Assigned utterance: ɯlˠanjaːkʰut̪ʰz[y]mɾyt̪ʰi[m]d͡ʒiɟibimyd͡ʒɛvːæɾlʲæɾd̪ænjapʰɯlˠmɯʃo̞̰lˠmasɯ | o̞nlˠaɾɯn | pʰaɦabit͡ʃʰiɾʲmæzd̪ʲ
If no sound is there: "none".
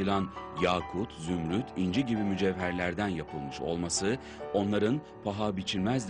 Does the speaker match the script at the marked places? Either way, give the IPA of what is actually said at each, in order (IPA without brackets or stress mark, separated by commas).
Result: y, n